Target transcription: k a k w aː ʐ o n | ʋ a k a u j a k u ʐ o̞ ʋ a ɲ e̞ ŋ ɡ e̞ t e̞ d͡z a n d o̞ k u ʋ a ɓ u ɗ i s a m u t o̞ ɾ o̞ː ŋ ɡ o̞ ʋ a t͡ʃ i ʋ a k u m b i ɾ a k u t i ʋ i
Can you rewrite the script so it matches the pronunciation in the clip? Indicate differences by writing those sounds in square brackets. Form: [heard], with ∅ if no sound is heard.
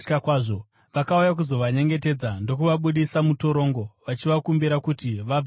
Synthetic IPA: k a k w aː ʐ o [∅] | ʋ a k a u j a k u [z] o̞ ʋ a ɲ e̞ ŋ ɡ e̞ t e̞ d͡z a n d o̞ k u ʋ a ɓ u ɗ i s a m u t o̞ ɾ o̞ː ŋ ɡ o̞ ʋ a t͡ʃ i ʋ a k u m b i ɾ a k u t i ʋ [a]